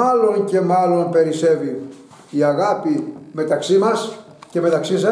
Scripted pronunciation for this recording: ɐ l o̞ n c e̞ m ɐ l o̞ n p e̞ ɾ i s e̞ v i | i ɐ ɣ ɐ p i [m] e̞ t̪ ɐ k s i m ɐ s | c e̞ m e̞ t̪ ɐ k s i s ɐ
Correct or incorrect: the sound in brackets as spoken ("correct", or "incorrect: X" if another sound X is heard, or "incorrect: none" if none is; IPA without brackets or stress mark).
correct